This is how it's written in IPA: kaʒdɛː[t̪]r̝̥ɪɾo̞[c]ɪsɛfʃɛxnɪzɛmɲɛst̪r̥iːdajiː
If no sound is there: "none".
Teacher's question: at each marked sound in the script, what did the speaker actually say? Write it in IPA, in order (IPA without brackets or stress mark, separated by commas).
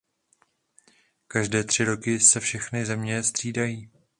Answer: t̪, k